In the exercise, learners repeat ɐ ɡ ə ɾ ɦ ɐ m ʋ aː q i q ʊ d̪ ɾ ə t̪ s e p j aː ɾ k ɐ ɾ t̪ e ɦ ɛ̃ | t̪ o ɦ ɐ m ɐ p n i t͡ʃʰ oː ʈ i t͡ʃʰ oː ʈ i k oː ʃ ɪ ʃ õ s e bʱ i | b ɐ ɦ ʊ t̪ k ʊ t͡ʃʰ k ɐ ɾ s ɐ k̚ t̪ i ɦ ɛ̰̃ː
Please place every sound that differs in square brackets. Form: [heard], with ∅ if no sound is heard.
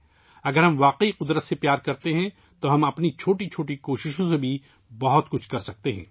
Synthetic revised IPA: ɐ ɡ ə ɾ ɦ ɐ m ʋ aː q i q ʊ d̪ ɾ ə t̪ s e p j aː ɾ k ɐ ɾ t̪ e ɦ ɛ̃ | t̪ o ɦ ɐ m ɐ p n i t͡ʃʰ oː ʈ i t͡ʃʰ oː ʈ i k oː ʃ ɪ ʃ õ s e bʱ i | b ɐ ɦ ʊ t̪ k ʊ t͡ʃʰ k ɐ ɾ s ɐ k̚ t̪ [e] ɦ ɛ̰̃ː